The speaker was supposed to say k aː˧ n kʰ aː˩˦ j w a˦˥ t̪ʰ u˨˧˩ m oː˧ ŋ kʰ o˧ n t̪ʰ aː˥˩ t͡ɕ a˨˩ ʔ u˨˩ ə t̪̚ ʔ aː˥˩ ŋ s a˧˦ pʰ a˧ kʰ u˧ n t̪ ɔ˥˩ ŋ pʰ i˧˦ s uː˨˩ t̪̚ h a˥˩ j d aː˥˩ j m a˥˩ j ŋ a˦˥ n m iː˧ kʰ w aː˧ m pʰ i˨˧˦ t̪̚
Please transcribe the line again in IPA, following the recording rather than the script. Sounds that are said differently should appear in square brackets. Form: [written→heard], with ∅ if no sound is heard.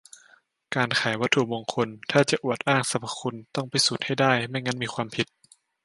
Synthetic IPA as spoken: k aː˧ n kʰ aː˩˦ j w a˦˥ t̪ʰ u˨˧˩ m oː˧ ŋ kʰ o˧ n t̪ʰ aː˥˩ t͡ɕ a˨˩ ʔ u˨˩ ə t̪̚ ʔ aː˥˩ ŋ s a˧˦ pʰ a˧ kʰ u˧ n t̪ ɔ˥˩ ŋ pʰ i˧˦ s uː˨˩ t̪̚ h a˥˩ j d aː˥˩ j m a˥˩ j ŋ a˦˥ n m iː˧ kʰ w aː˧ m pʰ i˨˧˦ t̪̚

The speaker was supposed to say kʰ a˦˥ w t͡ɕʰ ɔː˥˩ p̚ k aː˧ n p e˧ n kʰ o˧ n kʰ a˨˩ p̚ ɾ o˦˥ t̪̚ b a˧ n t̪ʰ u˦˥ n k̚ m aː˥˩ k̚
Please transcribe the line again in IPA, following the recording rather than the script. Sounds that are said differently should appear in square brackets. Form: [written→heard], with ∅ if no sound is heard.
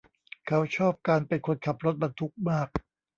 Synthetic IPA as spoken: kʰ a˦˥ w t͡ɕʰ ɔː˥˩ p̚ k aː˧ n p e˧ n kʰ o˧ n kʰ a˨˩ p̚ ɾ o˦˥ t̪̚ b a˧ n t̪ʰ u˦˥ [n→∅] k̚ m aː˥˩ k̚

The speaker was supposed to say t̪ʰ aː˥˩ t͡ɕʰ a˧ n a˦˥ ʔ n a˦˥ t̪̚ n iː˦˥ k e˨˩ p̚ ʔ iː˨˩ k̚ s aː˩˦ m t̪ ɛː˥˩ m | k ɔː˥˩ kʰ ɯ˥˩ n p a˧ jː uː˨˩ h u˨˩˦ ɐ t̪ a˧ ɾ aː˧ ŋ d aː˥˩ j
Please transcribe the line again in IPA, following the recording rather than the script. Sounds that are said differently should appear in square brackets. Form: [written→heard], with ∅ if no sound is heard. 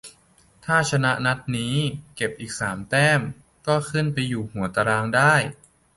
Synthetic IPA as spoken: t̪ʰ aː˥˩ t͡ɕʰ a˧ n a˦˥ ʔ n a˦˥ t̪̚ n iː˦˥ k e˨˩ p̚ ʔ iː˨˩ k̚ s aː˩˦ m t̪ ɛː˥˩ m | k ɔː˥˩ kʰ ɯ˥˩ n p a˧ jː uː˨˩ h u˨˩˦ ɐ t̪ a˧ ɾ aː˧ ŋ d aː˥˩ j

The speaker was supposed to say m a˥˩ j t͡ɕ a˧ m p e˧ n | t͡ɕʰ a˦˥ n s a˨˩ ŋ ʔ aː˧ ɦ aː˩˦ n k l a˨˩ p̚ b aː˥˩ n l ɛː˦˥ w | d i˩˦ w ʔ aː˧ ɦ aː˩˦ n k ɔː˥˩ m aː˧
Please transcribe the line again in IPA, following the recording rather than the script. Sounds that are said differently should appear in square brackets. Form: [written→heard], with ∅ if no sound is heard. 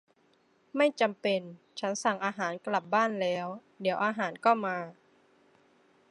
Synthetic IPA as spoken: m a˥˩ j t͡ɕ a˧ m p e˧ n | t͡ɕʰ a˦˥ n s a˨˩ ŋ ʔ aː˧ ɦ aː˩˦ n k l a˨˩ p̚ b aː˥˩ n l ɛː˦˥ w | d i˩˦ w ʔ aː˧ ɦ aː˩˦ n k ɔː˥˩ m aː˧

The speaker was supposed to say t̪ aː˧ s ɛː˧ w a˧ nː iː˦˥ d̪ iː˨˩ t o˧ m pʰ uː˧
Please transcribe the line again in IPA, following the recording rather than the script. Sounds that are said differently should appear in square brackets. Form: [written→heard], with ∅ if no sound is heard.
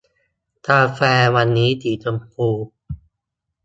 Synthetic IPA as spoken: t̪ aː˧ [s→f] ɛː˧ w a˧ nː iː˦˥ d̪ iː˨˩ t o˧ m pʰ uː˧

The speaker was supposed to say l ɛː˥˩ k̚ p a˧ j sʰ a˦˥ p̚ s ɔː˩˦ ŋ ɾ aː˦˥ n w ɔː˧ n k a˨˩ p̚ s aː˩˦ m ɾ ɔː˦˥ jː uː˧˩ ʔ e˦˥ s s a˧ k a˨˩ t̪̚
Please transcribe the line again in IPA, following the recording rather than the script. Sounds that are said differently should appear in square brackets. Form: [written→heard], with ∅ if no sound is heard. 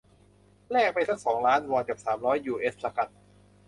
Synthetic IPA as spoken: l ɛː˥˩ k̚ p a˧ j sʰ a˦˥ [p̚→k̚] s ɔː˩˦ ŋ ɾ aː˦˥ n w ɔː˧ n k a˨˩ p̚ s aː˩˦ m ɾ ɔː˦˥ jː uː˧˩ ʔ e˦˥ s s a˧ k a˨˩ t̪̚

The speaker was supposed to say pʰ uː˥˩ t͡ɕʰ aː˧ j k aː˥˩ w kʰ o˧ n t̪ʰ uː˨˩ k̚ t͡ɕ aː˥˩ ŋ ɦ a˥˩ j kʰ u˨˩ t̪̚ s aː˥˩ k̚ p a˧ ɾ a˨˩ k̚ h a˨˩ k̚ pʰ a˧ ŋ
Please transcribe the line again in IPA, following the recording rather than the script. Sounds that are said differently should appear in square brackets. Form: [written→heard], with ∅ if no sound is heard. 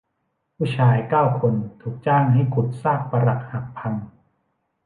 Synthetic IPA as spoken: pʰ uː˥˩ t͡ɕʰ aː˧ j k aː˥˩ w kʰ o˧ n t̪ʰ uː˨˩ k̚ t͡ɕ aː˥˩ ŋ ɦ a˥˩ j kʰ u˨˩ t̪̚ s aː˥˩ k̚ p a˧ ɾ a˨˩ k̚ h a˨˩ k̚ pʰ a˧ ŋ

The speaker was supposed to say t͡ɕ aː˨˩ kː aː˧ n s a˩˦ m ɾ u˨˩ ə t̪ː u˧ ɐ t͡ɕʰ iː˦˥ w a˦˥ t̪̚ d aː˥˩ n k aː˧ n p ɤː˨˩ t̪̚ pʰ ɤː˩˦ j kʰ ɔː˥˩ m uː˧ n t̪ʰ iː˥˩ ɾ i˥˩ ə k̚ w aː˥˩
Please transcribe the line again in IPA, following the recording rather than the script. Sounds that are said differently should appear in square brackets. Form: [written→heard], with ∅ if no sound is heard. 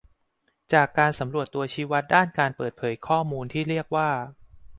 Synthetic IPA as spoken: t͡ɕ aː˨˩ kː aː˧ n s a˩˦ m ɾ u˨˩ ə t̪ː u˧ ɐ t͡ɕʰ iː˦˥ w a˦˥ t̪̚ d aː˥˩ n k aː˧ n p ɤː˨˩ t̪̚ pʰ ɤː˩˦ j kʰ ɔː˥˩ m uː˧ n t̪ʰ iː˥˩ ɾ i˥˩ ə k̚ w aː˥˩

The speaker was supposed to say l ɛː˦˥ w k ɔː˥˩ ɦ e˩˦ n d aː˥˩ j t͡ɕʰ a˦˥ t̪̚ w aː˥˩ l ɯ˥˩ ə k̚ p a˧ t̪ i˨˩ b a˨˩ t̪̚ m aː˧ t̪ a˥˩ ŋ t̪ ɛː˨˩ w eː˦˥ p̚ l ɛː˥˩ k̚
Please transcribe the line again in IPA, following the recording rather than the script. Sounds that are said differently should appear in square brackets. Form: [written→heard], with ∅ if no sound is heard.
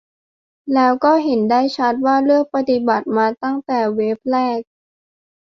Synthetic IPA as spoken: l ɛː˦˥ w k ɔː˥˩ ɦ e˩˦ n d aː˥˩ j t͡ɕʰ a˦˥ t̪̚ w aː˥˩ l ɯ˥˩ ə k̚ p a˧ t̪ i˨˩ b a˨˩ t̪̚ m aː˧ t̪ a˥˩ ŋ t̪ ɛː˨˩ w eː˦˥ p̚ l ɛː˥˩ k̚

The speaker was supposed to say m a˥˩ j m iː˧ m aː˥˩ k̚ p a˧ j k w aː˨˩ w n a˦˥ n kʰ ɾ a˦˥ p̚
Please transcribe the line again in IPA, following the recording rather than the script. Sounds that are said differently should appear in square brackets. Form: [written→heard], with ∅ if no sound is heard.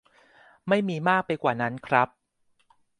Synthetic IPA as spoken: m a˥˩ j m iː˧ m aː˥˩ k̚ p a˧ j k w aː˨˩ [w→∅] n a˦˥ n kʰ ɾ a˦˥ p̚

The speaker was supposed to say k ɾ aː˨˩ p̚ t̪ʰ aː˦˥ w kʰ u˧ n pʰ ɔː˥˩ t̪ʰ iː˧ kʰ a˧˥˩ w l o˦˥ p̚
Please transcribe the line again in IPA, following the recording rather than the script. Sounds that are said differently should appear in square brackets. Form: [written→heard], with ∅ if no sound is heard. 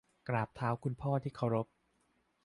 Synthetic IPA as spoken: k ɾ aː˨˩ p̚ t̪ʰ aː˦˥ w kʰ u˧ n pʰ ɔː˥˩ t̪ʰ [iː˧→iː˥˩] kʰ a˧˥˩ w [l→ɾ] o˦˥ p̚

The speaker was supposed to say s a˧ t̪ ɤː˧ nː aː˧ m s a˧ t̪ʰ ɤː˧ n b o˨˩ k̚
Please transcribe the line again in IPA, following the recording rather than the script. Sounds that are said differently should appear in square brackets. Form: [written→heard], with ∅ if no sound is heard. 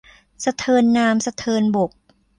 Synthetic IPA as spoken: s a˧ [t̪→t̪ʰ] ɤː˧ nː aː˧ m s a˧ t̪ʰ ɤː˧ n b o˨˩ k̚

